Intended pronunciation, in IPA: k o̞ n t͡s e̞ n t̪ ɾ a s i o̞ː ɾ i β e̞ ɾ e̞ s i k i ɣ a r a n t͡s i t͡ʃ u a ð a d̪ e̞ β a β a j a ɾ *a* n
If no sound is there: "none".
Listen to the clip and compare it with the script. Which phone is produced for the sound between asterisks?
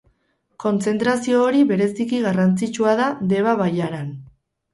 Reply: a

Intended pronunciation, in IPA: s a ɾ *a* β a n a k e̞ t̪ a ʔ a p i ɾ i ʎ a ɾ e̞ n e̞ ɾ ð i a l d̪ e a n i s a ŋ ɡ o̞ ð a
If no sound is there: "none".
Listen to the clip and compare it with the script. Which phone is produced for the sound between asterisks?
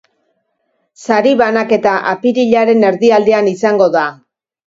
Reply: i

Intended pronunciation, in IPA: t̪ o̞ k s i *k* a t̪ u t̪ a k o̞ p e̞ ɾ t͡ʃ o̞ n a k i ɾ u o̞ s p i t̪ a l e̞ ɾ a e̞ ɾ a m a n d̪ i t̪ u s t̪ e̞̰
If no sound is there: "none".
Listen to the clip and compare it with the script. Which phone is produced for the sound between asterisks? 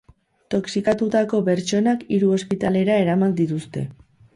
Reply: k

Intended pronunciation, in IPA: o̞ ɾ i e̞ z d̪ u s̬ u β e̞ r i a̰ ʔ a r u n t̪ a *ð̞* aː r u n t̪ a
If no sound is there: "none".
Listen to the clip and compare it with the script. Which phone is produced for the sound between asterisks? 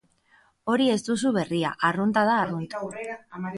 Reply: ð̞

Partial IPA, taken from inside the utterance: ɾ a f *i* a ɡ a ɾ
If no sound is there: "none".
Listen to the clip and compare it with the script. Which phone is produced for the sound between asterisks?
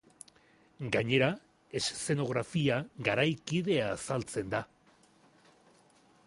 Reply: i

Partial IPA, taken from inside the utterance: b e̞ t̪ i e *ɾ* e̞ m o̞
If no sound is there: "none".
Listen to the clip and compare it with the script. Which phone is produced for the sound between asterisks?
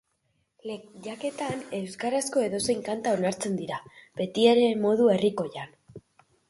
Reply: ɾ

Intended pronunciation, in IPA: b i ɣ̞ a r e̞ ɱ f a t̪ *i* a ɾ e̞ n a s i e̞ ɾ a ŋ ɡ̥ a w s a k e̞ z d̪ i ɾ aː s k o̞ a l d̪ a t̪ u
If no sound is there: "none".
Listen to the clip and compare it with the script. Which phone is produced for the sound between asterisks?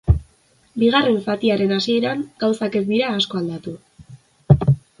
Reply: i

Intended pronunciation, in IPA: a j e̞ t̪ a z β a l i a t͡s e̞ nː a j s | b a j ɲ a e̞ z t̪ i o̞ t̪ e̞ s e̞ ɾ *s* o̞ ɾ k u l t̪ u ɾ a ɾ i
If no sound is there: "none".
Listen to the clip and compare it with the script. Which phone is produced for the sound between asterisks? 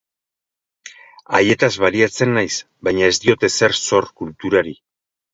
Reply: s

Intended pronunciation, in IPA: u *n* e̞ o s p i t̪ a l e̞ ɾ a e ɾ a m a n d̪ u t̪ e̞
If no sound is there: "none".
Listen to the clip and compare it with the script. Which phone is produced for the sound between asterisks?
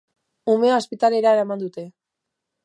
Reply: m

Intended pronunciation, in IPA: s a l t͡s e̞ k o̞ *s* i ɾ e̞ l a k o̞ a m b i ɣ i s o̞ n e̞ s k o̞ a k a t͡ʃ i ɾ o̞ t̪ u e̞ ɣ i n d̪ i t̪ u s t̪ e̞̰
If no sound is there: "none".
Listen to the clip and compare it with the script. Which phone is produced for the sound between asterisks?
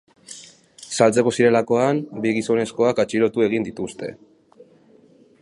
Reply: s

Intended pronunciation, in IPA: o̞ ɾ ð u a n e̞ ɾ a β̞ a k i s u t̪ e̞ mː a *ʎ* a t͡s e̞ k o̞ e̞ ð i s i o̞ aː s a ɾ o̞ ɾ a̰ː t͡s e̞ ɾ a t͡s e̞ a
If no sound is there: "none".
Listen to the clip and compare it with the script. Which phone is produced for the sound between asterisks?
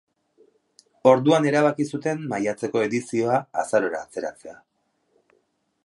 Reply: j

